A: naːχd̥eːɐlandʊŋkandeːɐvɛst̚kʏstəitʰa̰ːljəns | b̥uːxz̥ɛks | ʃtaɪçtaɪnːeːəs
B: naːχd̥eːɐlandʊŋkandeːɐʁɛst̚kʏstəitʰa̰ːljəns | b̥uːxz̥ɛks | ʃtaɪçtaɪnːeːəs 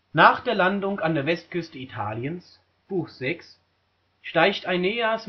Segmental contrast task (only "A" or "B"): A